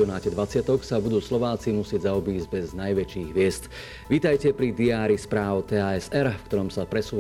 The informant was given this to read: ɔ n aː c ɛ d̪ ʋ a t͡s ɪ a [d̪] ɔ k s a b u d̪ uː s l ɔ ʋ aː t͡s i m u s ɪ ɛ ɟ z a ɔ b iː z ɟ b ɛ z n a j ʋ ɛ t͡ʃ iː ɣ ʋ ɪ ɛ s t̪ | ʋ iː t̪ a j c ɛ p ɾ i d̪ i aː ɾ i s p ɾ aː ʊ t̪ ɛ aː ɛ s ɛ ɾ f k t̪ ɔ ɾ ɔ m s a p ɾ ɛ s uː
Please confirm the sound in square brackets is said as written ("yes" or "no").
no